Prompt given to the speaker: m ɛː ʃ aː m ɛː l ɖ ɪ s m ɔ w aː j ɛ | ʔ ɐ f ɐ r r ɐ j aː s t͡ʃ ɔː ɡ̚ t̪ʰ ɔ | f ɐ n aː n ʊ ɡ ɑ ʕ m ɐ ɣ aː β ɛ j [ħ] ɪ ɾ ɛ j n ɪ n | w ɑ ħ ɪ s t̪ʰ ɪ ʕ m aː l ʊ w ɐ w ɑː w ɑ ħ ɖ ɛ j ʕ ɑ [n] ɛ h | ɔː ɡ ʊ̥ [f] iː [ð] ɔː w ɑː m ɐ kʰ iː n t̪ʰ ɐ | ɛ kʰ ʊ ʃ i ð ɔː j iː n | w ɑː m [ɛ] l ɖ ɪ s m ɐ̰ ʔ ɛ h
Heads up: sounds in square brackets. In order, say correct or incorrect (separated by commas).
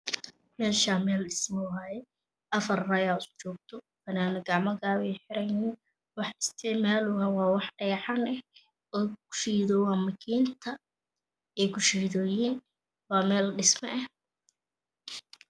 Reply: correct, correct, incorrect, correct, incorrect